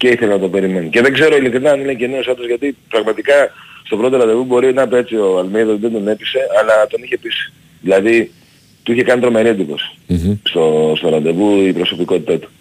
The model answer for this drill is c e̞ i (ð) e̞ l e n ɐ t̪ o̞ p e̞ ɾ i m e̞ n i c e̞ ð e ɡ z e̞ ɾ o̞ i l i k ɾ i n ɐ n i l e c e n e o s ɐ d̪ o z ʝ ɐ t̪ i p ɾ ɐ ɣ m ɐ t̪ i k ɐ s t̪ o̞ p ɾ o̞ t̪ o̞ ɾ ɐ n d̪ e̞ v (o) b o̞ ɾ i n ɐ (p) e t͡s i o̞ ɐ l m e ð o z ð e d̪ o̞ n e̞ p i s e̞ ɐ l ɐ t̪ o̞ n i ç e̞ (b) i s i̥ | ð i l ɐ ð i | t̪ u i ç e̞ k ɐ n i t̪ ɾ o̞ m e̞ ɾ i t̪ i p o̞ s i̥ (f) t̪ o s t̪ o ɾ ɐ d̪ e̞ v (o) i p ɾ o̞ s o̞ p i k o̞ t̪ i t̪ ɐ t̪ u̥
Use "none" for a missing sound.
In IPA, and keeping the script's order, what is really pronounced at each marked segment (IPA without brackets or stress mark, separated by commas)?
θ, u, p, p, s, u